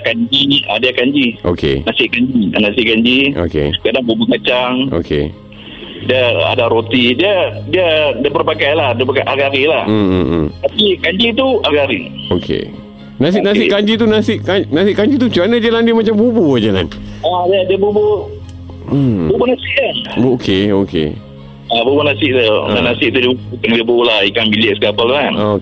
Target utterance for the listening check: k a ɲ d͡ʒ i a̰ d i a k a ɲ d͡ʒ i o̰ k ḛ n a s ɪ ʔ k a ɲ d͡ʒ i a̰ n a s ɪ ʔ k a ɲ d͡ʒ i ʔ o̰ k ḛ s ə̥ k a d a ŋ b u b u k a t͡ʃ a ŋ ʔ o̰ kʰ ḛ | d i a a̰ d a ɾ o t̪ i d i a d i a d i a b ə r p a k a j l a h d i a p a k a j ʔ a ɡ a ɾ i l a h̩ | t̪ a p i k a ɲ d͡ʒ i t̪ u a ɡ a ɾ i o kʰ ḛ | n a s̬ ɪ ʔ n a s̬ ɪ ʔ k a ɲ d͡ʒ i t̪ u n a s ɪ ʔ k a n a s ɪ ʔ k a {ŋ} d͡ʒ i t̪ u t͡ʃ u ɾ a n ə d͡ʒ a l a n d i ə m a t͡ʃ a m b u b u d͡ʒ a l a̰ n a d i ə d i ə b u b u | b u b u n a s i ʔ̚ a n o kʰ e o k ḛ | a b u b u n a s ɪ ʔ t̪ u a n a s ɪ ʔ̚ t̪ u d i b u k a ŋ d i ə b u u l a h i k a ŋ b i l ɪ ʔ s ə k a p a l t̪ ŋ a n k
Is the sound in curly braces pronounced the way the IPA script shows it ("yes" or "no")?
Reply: no